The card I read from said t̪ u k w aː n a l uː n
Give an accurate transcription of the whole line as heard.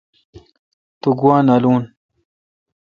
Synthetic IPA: t̪ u ɡ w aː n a l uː n